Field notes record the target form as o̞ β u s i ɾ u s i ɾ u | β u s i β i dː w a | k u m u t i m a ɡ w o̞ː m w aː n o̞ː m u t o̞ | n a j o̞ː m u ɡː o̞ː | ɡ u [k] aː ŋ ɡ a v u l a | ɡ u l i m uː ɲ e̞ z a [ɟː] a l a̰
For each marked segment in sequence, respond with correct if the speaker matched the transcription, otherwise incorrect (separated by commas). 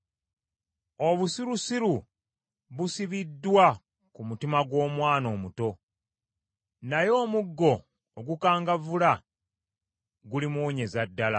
correct, incorrect